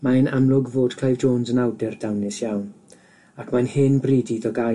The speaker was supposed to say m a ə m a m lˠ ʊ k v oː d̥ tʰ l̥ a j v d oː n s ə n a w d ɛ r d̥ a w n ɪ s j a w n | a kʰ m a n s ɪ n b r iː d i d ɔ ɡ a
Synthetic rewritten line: m a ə n a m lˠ ʊ ɡ v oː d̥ kʰ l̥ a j v d͡ʒ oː n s ə n a w d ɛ r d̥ a w n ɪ s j a w n | a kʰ m a n h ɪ n b r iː d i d ɔ ɡ a